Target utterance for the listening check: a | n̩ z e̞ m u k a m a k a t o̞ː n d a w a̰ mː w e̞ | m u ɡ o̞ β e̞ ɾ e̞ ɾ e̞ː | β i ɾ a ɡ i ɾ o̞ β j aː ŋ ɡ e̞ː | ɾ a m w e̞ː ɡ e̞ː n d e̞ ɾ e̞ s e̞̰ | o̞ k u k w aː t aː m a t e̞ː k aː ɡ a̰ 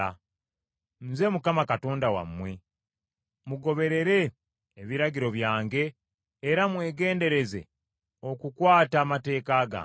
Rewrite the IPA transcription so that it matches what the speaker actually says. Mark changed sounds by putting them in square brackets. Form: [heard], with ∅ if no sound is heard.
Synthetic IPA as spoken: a | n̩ z e̞ m u k a m a k a t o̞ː n d a w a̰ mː w e̞ | m u ɡ o̞ β e̞ ɾ e̞ ɾ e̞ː | β i ɾ a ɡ i ɾ o̞ β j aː ŋ ɡ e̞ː | ɾ a m w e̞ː ɡ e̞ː n d e̞ ɾ e̞ [z] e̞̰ | o̞ k u k w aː t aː m a t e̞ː k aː ɡ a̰

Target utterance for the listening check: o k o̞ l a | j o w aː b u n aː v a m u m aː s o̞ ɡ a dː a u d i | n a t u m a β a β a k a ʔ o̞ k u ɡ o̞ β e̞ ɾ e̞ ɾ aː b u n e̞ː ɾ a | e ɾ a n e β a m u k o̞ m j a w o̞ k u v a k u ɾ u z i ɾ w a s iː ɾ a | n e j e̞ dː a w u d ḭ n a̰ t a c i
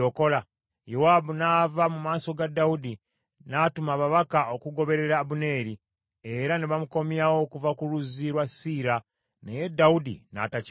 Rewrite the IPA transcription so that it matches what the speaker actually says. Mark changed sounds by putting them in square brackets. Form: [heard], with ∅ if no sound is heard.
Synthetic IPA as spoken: o k o̞ l a | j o w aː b u n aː v a m u m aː s o̞ ɡ a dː a u d i | n a t u m a β a β a k a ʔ o̞ k u ɡ o̞ β e̞ ɾ e̞ ɾ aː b u n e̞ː ɾ [i] | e ɾ a n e β a m u k o̞ m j a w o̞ k u v a k u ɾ u z i ɾ w a s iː ɾ a | n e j e̞ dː a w u d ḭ n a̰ t a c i

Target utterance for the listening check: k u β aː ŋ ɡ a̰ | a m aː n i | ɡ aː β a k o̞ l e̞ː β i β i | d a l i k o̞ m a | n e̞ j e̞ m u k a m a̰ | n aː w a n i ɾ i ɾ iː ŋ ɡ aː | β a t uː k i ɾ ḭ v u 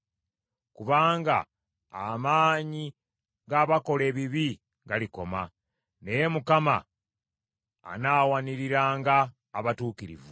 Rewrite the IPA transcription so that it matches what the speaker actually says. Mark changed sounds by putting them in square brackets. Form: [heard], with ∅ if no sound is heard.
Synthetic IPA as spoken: k u β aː ŋ ɡ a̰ | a m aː [ɲ] i | ɡ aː β a k o̞ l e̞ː β i β i | [ɡ] a l i k o̞ m a | n e̞ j e̞ m u k a m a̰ | n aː w a n i ɾ i ɾ [aː] ŋ ɡ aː | β a t uː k i ɾ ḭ v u

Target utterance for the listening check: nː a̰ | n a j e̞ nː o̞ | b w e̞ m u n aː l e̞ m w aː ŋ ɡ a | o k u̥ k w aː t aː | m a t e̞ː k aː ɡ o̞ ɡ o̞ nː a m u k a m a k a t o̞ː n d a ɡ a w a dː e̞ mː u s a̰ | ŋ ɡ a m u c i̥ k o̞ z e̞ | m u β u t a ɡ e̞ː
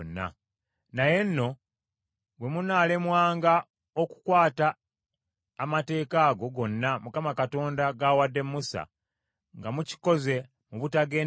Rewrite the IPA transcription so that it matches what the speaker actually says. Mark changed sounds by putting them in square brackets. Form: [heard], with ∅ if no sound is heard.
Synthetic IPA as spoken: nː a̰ | n a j e̞ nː o̞ | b w e̞ m u n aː l e̞ m w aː ŋ ɡ a | o k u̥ k w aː t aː | m a t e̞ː k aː ɡ o̞ ɡ o̞ nː a m u k a m a k a t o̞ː n d a ɡ a w a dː e̞ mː u s a̰ | ŋ ɡ a m u c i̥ k o̞ z e̞ | m u β u t a ɡ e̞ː

